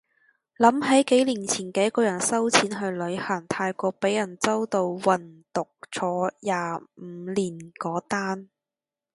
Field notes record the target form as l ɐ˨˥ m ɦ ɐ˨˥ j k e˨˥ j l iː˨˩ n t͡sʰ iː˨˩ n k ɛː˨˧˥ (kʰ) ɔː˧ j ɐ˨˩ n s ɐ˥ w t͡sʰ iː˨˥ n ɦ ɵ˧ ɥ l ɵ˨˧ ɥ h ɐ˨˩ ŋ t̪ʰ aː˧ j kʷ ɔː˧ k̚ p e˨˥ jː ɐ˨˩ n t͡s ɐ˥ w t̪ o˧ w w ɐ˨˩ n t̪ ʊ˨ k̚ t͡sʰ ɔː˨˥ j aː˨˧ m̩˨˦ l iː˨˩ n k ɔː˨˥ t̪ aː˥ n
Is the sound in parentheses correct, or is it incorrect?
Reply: incorrect